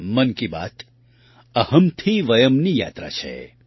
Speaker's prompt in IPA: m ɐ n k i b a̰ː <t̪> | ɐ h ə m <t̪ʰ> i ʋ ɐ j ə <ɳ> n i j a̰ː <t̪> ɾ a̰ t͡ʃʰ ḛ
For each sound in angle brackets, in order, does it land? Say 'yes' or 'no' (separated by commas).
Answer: yes, yes, no, yes